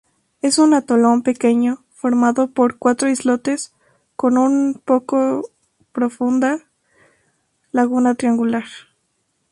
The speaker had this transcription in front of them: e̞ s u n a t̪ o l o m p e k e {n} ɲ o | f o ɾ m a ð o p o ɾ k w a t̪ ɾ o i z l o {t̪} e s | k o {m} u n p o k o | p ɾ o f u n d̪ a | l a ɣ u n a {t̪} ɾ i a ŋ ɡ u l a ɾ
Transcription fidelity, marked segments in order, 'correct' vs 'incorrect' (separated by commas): incorrect, correct, incorrect, correct